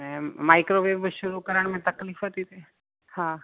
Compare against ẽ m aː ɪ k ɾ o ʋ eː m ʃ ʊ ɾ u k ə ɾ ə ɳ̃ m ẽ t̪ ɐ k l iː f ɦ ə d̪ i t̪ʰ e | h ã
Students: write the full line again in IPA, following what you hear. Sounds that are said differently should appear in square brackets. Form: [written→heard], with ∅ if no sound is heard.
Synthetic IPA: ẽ m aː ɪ k ɾ o ʋ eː [m→b] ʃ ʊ ɾ u k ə ɾ ə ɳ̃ m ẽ t̪ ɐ k l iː f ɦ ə [d̪→t̪] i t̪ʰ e | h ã